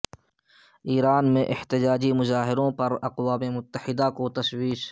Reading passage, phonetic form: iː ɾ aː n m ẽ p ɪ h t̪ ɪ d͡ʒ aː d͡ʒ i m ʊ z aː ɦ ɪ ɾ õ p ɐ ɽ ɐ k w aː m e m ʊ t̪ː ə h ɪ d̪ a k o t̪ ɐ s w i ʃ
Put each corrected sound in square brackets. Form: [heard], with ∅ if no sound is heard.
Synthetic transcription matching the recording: iː ɾ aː n m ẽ [ʔ] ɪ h t̪ ɪ d͡ʒ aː d͡ʒ i m ʊ z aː ɦ ɪ ɾ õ p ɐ [ɾ] ɐ [q] w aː m e m ʊ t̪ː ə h ɪ d̪ a k o t̪ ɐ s w [iː] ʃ